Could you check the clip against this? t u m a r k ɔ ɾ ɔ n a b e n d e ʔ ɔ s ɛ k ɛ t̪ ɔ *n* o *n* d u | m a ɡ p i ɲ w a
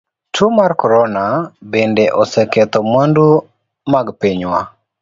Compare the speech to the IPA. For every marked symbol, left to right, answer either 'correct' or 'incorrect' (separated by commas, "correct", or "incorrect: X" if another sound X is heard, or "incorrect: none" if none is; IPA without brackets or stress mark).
incorrect: m, correct